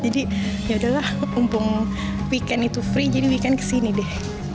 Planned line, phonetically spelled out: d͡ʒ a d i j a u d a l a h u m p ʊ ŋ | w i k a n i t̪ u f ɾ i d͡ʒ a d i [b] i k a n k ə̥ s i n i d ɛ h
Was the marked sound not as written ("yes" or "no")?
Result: yes